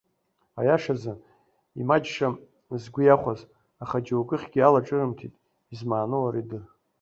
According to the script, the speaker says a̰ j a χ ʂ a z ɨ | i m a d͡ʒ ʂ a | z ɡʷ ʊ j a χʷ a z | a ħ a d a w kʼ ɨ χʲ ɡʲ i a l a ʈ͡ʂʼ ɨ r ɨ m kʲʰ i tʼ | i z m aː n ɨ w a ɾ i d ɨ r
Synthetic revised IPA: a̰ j a ʂ a z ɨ | i m a d͡ʒ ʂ a | z ɡʷ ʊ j a χʷ a z | a χ a d͡ʒ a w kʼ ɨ χʲ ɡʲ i a l a ʈ͡ʂʼ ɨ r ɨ m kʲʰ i tʼ | i z m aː n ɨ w a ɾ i d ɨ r